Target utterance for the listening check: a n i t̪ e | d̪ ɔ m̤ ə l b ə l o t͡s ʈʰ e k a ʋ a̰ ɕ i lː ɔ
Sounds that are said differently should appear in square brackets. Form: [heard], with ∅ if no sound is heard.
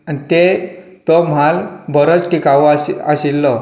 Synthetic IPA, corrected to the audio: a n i t̪ e | [t̪] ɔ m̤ [a] l b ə [ɾ] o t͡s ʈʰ [i] k a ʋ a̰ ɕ i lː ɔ